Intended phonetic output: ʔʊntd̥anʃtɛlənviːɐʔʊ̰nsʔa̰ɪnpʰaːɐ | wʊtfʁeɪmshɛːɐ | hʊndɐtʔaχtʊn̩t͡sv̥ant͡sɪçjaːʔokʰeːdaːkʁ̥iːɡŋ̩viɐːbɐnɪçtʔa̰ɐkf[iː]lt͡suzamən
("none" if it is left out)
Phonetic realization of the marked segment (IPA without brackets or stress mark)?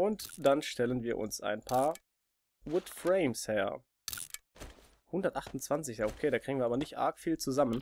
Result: iː